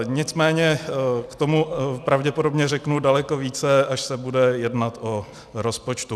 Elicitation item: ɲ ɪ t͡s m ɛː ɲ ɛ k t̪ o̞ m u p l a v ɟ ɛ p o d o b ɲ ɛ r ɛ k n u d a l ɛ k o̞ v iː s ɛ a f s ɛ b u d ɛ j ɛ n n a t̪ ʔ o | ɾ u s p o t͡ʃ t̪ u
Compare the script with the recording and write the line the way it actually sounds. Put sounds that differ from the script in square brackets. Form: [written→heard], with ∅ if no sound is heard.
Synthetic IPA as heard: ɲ ɪ t͡s m ɛː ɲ ɛ k t̪ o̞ m u p [l→ɾ] a v ɟ ɛ p o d o b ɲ ɛ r ɛ k n u d a l ɛ k o̞ v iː [s→t͡s] ɛ a [f→ʃ] s ɛ b u d ɛ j ɛ [n→d] n a t̪ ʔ o | ɾ [u→o] s p o t͡ʃ t̪ u